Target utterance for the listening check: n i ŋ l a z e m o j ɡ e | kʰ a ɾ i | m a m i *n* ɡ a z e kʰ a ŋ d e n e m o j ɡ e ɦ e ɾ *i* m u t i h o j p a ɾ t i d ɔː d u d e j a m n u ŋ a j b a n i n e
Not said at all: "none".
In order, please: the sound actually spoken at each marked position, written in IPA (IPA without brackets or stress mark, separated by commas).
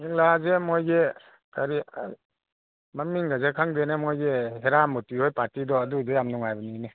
ŋ, a